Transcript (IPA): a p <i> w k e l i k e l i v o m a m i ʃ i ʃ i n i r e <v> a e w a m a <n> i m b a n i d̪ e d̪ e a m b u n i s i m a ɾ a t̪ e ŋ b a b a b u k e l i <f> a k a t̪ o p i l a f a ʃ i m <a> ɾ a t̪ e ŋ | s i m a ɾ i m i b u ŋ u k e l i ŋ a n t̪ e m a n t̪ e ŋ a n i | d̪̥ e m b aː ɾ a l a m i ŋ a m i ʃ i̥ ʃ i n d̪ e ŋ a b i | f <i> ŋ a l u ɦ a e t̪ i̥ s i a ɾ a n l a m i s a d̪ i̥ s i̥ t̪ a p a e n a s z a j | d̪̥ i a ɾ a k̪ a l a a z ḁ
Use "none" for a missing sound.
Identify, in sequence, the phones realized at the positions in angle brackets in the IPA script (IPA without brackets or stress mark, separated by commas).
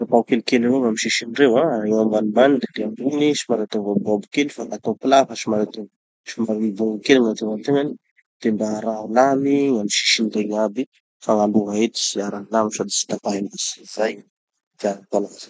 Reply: a, w, n, f, a, a